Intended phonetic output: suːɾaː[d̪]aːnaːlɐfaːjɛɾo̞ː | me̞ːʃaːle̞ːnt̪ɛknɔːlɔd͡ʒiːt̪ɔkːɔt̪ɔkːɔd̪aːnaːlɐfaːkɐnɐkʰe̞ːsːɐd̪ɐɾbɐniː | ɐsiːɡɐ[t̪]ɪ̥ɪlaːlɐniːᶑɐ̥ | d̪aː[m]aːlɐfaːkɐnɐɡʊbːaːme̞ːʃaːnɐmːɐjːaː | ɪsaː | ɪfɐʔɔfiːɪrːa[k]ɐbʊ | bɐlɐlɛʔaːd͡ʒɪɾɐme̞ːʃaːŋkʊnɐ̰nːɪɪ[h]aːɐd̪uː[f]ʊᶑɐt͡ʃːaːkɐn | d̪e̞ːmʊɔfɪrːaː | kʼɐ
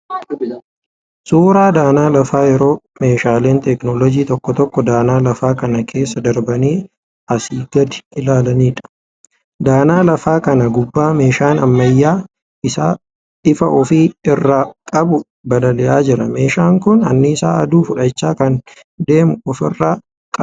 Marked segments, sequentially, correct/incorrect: correct, incorrect, incorrect, incorrect, incorrect, correct

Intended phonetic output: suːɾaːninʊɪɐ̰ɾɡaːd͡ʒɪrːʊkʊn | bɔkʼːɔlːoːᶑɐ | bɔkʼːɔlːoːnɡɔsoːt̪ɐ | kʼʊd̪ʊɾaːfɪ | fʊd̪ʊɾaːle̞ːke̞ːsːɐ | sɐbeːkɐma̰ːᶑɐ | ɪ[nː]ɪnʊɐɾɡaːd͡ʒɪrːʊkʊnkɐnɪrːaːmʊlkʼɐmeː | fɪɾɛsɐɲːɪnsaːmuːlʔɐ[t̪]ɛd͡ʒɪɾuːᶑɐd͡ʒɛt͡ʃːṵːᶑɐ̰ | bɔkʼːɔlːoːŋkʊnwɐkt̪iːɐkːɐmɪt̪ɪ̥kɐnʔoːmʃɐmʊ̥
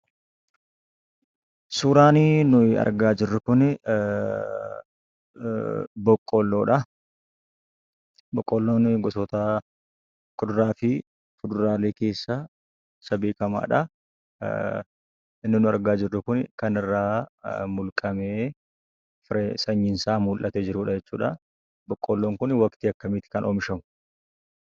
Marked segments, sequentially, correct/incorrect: correct, correct

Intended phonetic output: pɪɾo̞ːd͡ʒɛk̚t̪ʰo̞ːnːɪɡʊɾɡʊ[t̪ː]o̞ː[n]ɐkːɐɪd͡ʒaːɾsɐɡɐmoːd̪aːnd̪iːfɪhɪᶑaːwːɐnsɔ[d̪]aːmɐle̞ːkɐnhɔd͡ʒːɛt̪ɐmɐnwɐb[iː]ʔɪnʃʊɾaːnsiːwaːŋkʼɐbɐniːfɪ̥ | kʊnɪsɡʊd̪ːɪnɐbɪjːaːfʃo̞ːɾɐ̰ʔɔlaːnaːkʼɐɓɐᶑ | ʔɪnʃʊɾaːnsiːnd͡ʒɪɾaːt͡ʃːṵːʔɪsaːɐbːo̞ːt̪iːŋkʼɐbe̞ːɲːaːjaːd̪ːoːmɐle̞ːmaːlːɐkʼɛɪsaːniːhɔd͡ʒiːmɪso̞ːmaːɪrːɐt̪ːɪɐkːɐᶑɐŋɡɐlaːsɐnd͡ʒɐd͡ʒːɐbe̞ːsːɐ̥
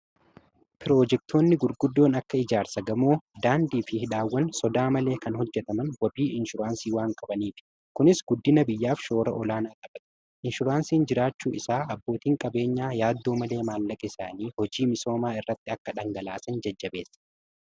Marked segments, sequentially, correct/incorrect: incorrect, correct, correct, correct

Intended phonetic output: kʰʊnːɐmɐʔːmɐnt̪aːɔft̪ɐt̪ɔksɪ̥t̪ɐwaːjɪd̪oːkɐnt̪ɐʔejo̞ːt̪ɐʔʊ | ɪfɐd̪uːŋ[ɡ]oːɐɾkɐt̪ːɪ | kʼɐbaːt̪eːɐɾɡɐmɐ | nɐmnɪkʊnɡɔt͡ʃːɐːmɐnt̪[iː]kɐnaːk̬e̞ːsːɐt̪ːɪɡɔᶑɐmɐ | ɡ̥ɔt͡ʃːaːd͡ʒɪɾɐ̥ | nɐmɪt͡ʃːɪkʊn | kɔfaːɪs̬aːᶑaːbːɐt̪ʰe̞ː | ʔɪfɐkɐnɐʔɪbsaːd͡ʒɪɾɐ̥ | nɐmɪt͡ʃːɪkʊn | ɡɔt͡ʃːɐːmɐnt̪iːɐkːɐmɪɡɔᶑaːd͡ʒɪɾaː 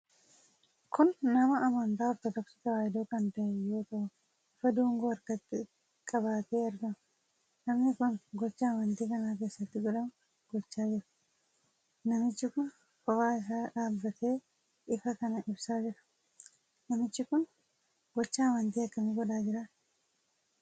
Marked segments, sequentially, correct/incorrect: correct, correct

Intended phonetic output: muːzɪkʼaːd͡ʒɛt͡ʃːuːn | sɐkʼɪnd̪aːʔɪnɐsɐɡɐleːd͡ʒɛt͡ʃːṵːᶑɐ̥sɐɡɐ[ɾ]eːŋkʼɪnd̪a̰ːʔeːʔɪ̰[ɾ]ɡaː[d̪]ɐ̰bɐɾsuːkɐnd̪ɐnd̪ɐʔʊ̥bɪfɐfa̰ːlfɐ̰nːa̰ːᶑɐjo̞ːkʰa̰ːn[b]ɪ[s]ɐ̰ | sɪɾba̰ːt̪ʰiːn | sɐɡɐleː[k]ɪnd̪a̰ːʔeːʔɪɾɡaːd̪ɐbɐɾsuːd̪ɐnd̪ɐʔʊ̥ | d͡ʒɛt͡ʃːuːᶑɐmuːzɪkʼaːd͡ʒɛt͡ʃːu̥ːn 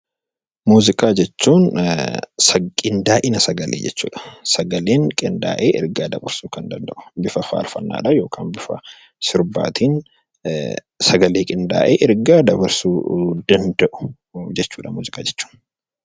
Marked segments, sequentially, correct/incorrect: incorrect, correct, correct, correct, incorrect, incorrect

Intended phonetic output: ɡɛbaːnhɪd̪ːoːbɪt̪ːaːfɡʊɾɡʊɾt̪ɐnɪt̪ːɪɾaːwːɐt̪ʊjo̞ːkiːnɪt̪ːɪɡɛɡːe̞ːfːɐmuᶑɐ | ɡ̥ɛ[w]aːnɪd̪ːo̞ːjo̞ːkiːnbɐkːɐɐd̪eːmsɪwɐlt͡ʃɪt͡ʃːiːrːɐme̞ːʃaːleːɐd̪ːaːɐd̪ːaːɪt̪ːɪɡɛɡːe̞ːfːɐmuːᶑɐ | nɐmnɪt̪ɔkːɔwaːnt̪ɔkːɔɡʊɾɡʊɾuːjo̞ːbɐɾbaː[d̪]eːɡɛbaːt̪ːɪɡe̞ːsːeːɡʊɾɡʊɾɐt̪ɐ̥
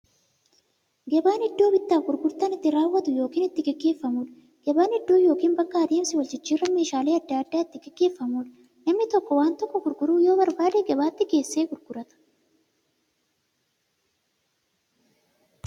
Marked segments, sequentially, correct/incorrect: incorrect, correct

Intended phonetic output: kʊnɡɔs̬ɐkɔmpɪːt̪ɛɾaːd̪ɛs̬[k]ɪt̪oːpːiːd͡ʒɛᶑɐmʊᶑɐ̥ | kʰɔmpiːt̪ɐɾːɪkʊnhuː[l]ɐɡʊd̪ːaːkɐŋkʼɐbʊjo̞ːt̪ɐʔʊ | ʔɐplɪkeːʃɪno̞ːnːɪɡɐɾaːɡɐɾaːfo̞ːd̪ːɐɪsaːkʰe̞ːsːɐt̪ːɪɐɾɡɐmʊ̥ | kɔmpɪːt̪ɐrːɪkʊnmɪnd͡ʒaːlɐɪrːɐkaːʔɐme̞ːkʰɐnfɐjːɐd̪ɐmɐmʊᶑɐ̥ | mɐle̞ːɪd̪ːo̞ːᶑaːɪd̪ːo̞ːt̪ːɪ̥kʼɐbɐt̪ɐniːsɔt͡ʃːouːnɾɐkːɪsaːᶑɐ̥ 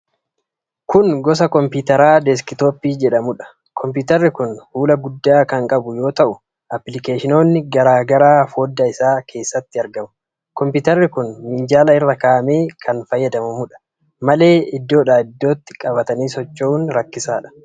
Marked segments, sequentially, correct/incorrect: correct, correct

